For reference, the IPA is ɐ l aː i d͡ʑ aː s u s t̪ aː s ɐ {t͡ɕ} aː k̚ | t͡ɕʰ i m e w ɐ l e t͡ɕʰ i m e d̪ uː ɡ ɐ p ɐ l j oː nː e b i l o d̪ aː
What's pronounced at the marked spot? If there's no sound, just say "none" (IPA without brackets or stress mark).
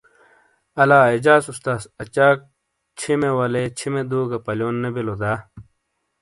t͡ɕ